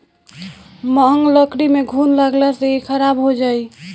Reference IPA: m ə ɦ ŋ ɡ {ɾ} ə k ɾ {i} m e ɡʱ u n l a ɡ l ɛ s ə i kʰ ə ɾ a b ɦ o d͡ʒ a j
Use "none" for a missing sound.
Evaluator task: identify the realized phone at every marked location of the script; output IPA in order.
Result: l, i

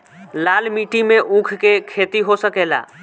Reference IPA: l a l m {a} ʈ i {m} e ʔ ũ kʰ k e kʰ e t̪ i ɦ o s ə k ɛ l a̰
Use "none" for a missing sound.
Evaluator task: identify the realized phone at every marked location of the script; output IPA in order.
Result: i, m

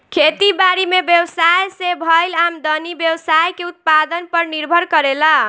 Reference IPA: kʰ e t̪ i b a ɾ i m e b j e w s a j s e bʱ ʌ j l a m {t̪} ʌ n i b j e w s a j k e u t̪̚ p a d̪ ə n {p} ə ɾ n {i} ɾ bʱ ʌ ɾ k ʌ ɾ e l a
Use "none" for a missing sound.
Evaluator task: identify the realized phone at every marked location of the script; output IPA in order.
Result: d̪, p, i

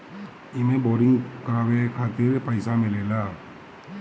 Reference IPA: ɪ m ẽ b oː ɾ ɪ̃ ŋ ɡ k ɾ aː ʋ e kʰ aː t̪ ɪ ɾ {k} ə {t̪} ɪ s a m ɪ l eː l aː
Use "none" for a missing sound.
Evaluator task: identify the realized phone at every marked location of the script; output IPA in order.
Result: p, none

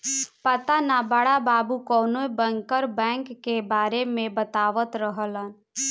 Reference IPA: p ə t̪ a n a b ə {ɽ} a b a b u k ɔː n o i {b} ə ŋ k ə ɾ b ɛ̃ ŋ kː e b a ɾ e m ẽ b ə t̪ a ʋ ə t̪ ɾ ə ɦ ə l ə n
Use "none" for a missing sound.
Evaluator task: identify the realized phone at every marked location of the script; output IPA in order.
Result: ɽ, b

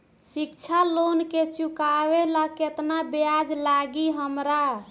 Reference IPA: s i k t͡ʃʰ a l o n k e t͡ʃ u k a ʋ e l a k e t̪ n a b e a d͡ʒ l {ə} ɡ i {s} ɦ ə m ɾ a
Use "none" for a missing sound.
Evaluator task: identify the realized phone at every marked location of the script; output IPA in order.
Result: a, none

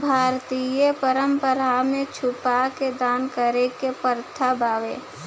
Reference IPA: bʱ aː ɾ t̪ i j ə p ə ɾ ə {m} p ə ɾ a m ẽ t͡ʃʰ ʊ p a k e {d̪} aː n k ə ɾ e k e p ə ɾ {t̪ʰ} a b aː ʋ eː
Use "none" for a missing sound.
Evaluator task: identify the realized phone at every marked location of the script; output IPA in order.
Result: m, d̪, t̪ʰ

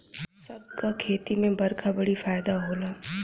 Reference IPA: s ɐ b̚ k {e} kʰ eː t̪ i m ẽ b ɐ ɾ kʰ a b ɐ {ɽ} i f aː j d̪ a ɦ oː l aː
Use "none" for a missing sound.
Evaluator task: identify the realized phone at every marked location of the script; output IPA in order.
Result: a, ɽ

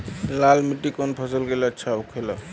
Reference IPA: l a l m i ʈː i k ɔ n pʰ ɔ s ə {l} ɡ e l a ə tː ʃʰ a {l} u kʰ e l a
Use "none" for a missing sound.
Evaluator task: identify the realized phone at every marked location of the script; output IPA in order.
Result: l, none

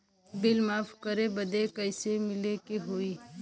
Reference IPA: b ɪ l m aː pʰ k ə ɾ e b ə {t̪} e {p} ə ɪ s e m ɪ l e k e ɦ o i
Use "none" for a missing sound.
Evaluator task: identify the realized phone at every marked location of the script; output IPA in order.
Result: d̪, k

